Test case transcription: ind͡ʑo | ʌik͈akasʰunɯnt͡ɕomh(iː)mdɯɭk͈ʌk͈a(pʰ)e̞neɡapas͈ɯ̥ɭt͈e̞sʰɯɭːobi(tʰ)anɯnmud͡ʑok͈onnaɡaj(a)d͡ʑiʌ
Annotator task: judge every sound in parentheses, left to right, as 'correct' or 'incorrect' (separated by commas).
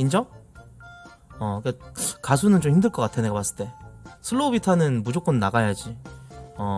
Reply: incorrect, incorrect, correct, correct